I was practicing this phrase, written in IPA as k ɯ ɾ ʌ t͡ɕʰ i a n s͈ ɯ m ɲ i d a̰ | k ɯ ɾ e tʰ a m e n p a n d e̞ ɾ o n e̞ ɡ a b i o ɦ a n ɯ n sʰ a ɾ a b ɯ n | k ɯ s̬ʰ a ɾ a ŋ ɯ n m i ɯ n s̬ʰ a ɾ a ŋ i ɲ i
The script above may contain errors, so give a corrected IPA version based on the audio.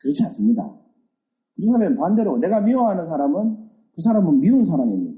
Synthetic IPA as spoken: k ɯ ɾ ʌ t͡ɕʰ i a n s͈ ɯ m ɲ i d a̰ | k ɯ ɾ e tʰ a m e n p a n d e̞ ɾ o n e̞ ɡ a m i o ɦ a n ɯ n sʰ a ɾ a m ɯ n | k ɯ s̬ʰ a ɾ a m ɯ n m i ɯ n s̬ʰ a ɾ a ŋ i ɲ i